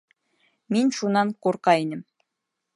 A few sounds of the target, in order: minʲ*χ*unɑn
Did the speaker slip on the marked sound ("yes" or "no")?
yes